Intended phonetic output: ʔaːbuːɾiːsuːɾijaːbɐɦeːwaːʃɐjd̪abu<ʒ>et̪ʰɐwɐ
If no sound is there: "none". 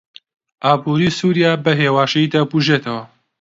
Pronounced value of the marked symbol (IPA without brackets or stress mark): ʒ